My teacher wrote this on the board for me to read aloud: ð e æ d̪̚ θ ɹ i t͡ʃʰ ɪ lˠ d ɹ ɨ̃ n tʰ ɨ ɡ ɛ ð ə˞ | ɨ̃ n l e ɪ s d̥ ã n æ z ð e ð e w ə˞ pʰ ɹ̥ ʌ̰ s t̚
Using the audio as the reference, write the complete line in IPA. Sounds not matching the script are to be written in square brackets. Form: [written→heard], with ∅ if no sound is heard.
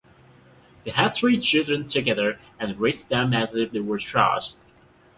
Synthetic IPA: ð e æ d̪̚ θ ɹ i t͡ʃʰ ɪ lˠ d ɹ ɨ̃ n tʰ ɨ ɡ ɛ ð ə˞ | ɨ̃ n [l→ɹ] e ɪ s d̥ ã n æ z ð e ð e w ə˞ [pʰ→tʰ] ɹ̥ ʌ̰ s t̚